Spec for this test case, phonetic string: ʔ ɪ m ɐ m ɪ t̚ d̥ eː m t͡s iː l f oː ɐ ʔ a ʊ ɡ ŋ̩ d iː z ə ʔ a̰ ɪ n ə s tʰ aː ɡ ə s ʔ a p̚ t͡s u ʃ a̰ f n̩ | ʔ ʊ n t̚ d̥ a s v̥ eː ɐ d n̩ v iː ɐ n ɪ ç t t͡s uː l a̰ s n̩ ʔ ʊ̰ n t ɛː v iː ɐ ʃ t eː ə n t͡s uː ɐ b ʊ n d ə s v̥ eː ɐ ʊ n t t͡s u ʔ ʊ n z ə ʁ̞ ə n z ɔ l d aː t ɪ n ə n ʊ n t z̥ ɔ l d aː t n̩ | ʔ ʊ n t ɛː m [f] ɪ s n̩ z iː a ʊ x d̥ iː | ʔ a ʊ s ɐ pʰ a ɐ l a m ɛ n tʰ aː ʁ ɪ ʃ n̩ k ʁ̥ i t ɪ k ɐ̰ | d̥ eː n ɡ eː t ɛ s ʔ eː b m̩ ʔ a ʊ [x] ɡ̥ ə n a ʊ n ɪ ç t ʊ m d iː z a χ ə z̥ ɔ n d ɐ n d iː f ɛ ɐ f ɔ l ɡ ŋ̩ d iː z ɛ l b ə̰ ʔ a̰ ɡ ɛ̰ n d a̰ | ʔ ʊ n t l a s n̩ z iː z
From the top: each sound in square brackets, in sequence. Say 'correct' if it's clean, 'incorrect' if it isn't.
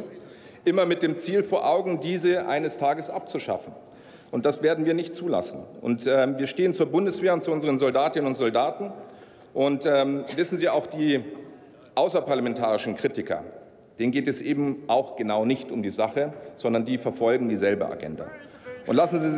incorrect: v, correct

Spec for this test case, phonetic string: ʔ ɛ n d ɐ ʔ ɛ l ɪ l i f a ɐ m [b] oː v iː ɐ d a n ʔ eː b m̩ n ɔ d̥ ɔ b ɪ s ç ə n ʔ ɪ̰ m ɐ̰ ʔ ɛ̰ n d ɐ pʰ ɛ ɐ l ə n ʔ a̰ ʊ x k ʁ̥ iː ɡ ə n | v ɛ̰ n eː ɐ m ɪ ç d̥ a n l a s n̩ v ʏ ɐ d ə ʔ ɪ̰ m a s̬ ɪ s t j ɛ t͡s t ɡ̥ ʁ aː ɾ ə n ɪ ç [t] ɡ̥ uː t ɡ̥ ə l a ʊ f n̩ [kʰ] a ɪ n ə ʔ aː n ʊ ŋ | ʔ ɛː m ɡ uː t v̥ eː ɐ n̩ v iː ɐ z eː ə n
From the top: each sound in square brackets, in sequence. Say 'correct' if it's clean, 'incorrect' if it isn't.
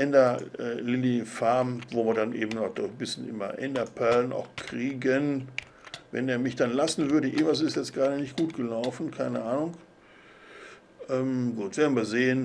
incorrect: v, correct, correct

